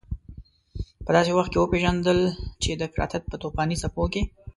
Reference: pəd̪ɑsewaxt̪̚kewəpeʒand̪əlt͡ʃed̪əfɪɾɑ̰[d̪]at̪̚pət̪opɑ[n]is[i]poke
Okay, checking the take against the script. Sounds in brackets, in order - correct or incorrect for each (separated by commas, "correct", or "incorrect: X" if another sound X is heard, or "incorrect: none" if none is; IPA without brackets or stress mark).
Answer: incorrect: t̪, correct, incorrect: a